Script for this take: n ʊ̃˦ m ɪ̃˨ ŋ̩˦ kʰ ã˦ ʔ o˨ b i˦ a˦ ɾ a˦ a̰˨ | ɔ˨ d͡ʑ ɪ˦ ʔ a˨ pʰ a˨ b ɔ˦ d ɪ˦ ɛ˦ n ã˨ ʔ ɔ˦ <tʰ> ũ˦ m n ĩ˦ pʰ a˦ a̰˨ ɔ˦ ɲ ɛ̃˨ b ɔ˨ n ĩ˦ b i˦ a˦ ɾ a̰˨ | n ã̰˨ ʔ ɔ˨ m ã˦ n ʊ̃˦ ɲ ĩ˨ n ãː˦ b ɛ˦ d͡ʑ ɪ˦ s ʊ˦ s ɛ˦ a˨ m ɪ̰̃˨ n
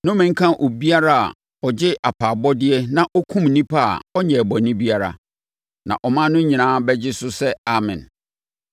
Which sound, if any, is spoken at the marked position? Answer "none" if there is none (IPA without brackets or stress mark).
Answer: kʰ